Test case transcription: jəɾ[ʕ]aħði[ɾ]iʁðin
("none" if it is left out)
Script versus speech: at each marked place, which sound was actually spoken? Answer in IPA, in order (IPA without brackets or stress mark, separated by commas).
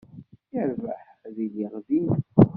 v, l